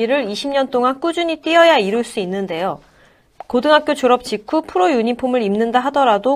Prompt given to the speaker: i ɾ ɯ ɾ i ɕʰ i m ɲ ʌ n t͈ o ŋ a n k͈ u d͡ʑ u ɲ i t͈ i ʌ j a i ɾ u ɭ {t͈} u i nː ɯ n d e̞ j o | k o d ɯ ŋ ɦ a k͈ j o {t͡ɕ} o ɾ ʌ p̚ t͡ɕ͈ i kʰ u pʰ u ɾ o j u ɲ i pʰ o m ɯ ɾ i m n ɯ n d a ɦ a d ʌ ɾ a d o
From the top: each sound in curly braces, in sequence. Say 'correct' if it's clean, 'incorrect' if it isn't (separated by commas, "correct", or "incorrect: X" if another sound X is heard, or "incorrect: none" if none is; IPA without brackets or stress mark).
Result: incorrect: s͈, correct